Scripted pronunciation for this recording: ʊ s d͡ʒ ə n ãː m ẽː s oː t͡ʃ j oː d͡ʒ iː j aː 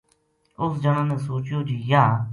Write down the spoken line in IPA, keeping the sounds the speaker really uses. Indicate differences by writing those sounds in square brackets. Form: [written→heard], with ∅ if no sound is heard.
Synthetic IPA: ʊ s d͡ʒ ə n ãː [m→n] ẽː s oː t͡ʃ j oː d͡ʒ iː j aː